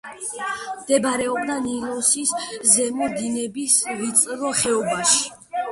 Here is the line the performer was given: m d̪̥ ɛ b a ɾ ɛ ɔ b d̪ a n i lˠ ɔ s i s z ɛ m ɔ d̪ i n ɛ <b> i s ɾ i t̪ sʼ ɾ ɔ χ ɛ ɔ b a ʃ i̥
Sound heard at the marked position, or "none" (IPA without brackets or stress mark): b